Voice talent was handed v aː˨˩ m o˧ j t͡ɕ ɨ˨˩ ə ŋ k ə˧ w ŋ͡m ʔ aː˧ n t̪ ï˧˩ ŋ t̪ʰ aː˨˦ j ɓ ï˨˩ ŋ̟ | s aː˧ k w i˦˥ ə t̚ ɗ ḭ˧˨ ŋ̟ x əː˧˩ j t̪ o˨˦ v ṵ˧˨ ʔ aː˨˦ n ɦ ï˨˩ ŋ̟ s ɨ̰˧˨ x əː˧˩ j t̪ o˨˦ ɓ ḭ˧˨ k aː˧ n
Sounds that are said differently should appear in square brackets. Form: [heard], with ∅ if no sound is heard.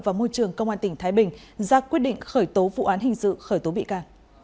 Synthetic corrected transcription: v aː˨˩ m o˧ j t͡ɕ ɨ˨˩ ə ŋ k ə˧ w ŋ͡m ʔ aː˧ n t̪ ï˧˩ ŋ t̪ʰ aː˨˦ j ɓ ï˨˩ ŋ̟ | [z] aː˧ k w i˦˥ ə t̚ ɗ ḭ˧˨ ŋ̟ x əː˧˩ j t̪ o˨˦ v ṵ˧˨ ʔ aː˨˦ n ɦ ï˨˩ ŋ̟ s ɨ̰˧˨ x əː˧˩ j t̪ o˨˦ ɓ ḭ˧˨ k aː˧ n